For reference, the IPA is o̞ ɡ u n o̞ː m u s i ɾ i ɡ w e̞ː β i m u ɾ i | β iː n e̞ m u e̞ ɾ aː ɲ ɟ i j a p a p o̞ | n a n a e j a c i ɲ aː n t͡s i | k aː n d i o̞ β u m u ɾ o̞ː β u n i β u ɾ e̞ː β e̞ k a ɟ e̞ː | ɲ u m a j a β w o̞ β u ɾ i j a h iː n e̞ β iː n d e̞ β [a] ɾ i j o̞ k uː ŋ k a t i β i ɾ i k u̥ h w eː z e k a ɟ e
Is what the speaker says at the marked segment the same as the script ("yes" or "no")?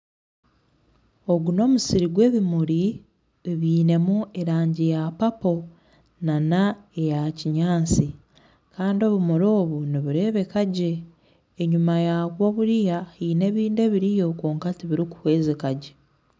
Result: no